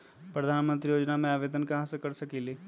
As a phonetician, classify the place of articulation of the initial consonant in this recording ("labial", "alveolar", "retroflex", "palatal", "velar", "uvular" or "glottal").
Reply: labial